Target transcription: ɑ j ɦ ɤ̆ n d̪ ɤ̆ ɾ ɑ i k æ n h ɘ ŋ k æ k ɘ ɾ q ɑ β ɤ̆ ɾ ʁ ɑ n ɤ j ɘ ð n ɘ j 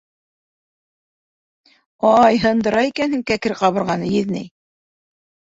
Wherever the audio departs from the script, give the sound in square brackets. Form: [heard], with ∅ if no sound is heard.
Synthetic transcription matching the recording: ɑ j ɦ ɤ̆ n d̪ ɤ̆ ɾ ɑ i k æ n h ɘ ŋ k æ k ɘ ɾ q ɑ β ɤ̆ ɾ ʁ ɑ n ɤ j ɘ ð n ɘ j